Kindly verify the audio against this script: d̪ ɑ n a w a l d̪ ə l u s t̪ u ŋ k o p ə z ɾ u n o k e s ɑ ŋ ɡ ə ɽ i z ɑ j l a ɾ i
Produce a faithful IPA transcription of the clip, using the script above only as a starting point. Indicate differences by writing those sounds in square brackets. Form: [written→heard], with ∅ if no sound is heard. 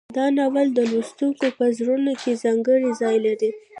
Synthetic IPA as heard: d̪ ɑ n a w a l d̪ ə l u s t̪ u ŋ k o p ə z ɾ u n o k e [s→z] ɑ ŋ ɡ ə ɽ i z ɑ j l a ɾ i